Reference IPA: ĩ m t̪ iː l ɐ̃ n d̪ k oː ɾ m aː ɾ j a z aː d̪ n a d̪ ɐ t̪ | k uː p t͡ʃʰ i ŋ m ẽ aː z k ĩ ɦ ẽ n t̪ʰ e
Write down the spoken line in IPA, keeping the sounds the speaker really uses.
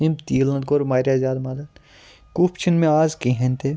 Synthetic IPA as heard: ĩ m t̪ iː l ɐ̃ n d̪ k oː ɾ m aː ɾ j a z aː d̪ m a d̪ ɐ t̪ | k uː p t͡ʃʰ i n m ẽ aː z k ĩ ɦ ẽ n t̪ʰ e